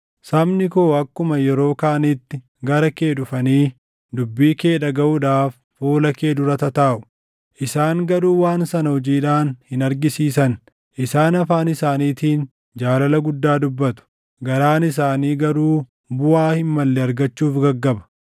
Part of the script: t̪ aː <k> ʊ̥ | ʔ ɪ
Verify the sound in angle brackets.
incorrect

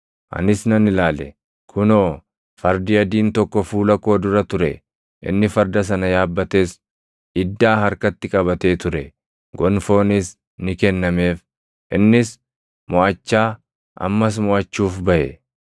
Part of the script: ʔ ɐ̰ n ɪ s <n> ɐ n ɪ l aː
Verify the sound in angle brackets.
correct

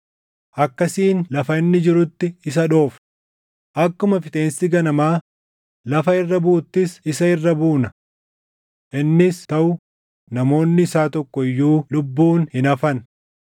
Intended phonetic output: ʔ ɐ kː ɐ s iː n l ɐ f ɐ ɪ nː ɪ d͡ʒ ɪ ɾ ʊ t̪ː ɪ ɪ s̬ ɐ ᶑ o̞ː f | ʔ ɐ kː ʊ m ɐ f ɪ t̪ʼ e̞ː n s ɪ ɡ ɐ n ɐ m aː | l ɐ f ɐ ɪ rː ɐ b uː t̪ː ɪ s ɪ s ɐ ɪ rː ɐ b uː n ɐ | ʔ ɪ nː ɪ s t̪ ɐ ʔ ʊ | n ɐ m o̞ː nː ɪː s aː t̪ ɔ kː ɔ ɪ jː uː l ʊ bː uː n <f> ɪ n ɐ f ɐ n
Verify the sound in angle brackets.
incorrect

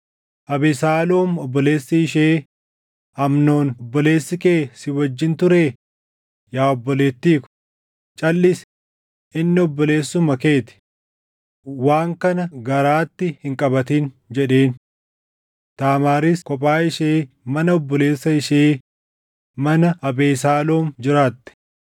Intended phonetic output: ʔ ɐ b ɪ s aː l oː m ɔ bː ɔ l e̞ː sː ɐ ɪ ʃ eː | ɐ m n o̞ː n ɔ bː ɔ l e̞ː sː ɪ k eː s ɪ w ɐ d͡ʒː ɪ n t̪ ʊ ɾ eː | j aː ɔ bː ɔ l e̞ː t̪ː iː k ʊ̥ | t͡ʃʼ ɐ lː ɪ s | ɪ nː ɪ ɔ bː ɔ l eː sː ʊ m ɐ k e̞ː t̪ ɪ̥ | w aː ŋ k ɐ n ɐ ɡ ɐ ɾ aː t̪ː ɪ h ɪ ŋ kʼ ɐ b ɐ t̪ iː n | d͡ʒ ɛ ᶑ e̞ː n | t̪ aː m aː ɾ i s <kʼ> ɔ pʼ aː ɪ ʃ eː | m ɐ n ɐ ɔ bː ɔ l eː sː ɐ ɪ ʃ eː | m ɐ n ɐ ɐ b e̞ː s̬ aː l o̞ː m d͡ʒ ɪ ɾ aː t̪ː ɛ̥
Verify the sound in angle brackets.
incorrect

